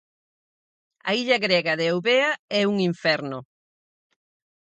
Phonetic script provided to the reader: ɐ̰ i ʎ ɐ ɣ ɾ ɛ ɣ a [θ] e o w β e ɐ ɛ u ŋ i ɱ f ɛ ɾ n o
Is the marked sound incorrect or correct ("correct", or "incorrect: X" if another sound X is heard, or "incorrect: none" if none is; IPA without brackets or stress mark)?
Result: incorrect: ð